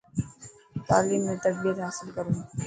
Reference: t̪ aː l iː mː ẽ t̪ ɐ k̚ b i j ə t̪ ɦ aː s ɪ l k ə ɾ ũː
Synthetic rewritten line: t̪ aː l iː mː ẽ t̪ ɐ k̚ b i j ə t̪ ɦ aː s ɪ l k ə ɾ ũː